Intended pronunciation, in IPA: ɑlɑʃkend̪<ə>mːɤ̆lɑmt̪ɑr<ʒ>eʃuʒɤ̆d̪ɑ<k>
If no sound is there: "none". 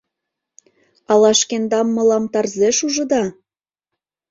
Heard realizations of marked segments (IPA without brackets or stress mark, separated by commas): ɑ, z, none